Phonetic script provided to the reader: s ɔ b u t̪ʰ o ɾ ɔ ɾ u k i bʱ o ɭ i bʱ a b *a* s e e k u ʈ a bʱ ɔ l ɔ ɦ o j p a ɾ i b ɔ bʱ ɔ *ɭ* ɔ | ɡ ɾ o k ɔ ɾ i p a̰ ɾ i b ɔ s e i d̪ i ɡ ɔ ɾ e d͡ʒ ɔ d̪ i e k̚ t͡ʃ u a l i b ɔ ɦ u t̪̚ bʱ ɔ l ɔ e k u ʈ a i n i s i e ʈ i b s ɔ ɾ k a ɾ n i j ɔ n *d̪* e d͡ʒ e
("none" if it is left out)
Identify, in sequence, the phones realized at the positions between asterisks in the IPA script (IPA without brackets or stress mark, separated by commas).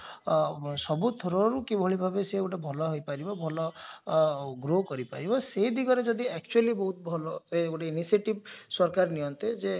e, l, t̪